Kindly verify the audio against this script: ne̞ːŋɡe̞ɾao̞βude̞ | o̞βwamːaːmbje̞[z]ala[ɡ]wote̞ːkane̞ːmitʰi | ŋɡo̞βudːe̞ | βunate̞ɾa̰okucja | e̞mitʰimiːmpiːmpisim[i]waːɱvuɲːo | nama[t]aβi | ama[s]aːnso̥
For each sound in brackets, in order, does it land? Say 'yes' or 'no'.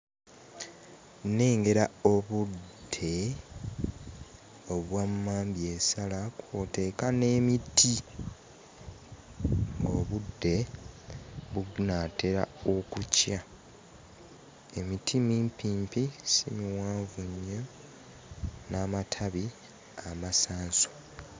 no, no, yes, no, yes

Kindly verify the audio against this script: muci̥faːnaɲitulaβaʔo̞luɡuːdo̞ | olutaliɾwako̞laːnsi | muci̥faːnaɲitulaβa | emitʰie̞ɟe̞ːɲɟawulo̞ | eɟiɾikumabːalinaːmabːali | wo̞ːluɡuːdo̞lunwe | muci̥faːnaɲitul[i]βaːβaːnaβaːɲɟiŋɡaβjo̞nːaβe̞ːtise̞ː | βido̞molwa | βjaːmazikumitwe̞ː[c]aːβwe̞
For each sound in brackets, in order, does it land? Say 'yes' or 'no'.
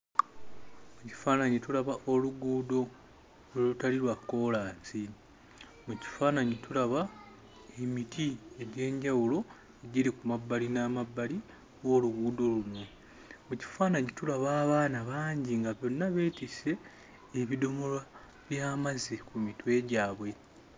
no, no

